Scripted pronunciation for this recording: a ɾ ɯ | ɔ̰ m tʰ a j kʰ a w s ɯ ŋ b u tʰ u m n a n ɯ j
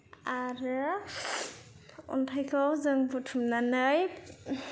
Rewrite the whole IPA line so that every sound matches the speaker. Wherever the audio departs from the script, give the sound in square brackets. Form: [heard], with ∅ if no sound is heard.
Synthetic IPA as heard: a ɾ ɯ | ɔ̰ [n] tʰ a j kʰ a w [z] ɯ ŋ b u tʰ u m n a n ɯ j